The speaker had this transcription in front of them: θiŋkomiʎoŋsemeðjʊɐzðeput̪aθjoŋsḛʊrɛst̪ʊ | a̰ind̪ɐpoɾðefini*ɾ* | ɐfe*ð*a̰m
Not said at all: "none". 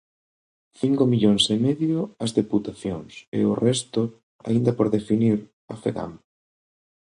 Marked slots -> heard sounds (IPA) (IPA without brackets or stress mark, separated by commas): ɾ, ɣ